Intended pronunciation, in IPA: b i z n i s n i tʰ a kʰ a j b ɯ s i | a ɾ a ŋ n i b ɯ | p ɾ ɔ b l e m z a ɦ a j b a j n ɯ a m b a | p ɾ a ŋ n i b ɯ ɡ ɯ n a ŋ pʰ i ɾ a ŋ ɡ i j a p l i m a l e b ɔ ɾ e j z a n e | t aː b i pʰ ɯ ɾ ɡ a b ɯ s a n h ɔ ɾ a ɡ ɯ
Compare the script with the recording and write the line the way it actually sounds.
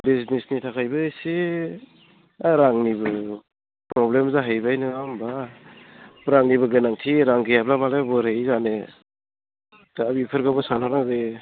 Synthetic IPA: b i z n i s n i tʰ a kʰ a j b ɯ s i | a ɾ a ŋ n i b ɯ | p ɾ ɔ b l e m z a ɦ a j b a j n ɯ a m b a | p ɾ a ŋ n i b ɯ ɡ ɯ n a ŋ tʰ i ɾ a ŋ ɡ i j a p l a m a l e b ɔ ɾ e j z a n e | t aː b i pʰ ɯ ɾ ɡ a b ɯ s a n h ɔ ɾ a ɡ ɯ